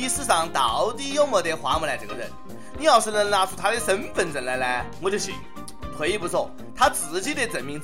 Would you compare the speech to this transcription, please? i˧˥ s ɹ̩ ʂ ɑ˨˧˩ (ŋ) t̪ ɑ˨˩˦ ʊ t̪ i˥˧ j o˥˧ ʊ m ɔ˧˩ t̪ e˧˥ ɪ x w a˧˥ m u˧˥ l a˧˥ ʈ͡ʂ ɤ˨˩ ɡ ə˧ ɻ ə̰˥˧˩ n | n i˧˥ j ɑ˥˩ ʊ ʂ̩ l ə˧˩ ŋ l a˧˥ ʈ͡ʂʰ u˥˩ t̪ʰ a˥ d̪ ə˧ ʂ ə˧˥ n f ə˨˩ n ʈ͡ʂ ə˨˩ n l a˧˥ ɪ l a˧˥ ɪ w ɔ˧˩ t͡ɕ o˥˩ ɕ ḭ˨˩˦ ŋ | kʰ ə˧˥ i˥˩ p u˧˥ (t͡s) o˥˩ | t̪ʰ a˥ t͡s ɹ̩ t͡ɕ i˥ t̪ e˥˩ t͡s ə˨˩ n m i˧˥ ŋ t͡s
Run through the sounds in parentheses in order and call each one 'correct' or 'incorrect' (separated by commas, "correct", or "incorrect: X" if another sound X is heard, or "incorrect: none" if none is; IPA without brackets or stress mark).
correct, incorrect: t͡sʰ